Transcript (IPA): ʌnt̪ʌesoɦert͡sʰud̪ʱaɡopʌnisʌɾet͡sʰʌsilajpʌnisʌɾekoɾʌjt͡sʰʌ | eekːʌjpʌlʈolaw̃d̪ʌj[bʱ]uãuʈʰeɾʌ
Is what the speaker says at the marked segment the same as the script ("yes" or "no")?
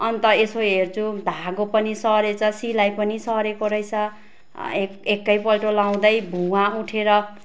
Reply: yes